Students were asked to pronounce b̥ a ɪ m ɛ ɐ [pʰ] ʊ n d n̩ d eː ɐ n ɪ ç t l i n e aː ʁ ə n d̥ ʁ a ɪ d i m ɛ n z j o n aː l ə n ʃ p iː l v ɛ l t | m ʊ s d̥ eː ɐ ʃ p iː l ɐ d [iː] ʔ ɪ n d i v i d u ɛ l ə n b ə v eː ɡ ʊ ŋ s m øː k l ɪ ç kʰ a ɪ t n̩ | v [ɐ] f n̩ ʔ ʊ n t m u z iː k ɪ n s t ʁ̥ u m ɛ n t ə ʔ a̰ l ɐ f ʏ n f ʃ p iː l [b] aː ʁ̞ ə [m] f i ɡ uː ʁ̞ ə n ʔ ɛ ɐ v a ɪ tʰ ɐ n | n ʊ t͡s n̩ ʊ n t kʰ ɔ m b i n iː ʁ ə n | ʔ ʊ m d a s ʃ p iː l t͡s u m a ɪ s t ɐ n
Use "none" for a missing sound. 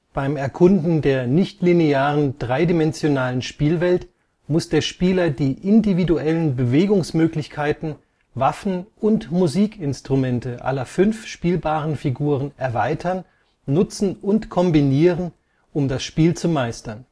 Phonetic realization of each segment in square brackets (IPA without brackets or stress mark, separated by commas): kʰ, iː, a, b, n